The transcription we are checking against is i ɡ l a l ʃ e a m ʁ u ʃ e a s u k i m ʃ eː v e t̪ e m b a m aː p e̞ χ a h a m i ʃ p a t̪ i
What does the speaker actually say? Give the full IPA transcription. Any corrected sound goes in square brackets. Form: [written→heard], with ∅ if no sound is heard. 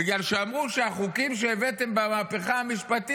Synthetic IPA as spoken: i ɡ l a l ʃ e a m ʁ u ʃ e a [s→χ] u k i m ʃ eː v e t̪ e m b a m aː p e̞ χ a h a m i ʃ p a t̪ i